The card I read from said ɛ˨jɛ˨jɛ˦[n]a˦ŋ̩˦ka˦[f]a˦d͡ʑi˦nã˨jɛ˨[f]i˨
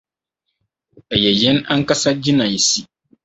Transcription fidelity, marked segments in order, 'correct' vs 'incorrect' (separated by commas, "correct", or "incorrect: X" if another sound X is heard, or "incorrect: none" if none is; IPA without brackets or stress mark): correct, incorrect: s, incorrect: s